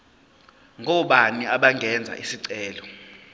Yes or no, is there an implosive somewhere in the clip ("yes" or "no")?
yes